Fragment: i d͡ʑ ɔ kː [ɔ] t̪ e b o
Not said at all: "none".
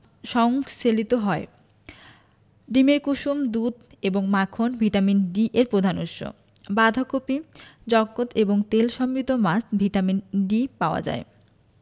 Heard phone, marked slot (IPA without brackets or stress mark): o